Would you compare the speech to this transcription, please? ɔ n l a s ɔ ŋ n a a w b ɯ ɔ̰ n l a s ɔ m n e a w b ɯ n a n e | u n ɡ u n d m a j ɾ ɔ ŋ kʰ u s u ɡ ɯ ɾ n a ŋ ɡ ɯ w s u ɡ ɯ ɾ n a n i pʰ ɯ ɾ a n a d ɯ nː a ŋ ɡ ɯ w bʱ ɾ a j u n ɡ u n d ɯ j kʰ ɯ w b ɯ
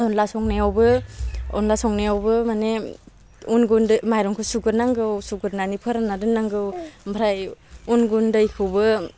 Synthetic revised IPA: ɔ n l a s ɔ ŋ n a a w b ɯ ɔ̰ n l a s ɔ ŋ n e a w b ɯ m a n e | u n ɡ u n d m a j ɾ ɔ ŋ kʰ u s u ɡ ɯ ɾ n a ŋ ɡ ɯ w s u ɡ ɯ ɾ n a n i pʰ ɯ ɾ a n a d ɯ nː a ŋ ɡ ɯ w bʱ ɾ a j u n ɡ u n d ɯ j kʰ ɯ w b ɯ

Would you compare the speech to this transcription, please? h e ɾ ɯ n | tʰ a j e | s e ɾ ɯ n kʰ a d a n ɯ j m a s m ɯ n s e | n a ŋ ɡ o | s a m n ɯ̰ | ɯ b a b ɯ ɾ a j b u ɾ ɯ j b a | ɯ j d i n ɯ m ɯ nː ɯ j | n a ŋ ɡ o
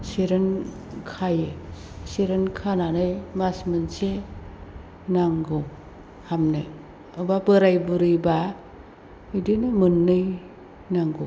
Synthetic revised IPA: s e ɾ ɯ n | kʰ a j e | s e ɾ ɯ n kʰ a n a n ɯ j m a s m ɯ n s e | n a ŋ ɡ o | h a m n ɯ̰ | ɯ b a b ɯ ɾ a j b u ɾ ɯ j b a | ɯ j d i n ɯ m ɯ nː ɯ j | n a ŋ ɡ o

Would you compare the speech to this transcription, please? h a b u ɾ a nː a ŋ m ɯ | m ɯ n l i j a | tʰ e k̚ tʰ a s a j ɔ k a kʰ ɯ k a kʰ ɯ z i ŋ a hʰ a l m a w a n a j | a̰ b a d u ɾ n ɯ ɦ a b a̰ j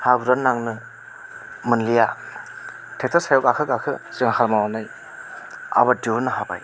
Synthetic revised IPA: h a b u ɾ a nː a ŋ n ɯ | m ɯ n l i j a | tʰ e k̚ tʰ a s a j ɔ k a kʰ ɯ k a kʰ ɯ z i ŋ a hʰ a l m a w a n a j | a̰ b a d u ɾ n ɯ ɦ a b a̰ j

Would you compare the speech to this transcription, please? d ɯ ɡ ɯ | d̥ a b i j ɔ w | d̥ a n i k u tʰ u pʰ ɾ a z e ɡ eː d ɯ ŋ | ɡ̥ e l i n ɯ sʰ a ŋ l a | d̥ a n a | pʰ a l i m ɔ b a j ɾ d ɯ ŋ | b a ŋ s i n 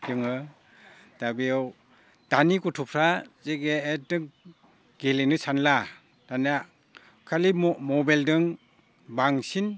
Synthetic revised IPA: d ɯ ŋ ɯ | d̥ a b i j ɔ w | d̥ a n i k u tʰ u pʰ ɾ a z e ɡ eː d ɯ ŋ | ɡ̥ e l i n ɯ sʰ a n l a | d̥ a n a | kʰ a l i m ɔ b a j l d ɯ ŋ | b a ŋ s i n

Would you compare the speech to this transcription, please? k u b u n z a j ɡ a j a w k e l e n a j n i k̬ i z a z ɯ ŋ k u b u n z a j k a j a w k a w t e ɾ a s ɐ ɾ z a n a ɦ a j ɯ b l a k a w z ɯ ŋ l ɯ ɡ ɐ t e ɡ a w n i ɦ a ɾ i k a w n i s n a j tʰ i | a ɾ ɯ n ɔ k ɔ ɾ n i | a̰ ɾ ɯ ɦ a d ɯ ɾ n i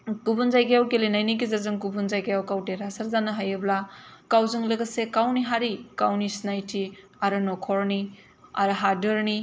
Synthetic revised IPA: k u b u n z a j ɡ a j a w k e l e n a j n i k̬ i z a z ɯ ŋ k u b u n z a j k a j a w k a w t e ɾ a s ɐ ɾ z a n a ɦ a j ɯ b l a k a w z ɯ ŋ l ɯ ɡ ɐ s e k a w n i ɦ a ɾ i k a w n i s n a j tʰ i | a ɾ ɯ n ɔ kʰ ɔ ɾ n i | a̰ ɾ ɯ ɦ a d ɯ ɾ n i

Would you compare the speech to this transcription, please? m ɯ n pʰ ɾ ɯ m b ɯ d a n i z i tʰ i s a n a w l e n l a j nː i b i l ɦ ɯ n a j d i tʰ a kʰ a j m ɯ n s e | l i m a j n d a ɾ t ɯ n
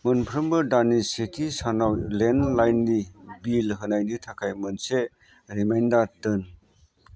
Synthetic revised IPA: m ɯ n pʰ ɾ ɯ m b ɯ d a n i s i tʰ i s a n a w l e n l a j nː i b i l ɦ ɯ n a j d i tʰ a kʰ a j m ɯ n s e | ɾ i m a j n d a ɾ t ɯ n

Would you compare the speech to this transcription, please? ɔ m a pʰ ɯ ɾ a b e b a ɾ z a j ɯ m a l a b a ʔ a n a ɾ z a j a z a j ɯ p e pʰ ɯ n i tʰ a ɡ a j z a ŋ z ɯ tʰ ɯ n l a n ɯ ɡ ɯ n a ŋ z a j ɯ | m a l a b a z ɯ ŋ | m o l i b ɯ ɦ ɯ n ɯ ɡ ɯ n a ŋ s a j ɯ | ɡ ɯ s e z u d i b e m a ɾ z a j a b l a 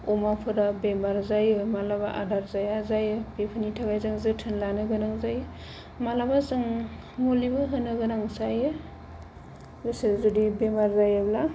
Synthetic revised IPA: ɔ m a pʰ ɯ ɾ a b e m a ɾ z a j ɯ m a l a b a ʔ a d a ɾ z a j a z a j ɯ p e pʰ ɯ n i tʰ a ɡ a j z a ŋ z ɯ tʰ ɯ n l a n ɯ ɡ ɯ n a ŋ z a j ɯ | m a l a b a z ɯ ŋ | m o l i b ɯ ɦ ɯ n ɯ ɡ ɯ n a ŋ s a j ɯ | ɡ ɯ s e z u d i b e m a ɾ z a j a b l a

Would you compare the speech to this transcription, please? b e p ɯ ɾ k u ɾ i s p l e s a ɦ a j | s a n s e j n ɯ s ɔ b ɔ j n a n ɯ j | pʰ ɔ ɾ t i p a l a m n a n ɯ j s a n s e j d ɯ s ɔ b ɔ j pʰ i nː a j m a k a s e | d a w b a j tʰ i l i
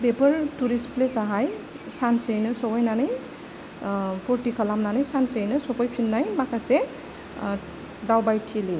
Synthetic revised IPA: b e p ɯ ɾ t u ɾ i s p l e s a ɦ a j | s a n s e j n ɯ s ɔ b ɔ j n a n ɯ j | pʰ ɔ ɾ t i k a l a m n a n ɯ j s a n s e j n ɯ s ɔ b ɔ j pʰ i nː a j m a k a s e | d a w b a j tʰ i l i

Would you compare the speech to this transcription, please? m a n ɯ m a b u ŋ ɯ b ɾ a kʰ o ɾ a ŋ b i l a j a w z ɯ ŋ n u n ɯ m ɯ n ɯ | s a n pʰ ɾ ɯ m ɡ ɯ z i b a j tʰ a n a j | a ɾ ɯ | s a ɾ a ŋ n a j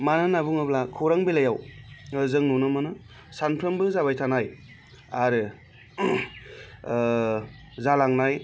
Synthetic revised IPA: m a n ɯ n a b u ŋ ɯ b l a kʰ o ɾ a ŋ b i l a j a w z ɯ ŋ n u n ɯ m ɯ n ɯ | s a n pʰ ɾ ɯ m b ɯ z a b a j tʰ a n a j | a ɾ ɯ | z a l a ŋ n a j

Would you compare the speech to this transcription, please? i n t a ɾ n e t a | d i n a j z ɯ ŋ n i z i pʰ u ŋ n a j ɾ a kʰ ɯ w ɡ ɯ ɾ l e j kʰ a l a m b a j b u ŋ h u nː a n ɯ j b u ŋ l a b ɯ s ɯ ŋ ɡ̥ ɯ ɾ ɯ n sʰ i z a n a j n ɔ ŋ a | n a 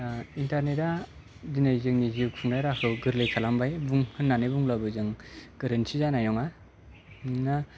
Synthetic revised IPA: i n t a ɾ n e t a | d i n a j z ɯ ŋ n i z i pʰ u ŋ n a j ɾ a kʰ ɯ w ɡ ɯ ɾ l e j kʰ a l a m b a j b u ŋ h ɯ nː a n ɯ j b u ŋ l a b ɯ z ɯ ŋ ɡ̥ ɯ ɾ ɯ n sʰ i z a n a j n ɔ ŋ a | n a

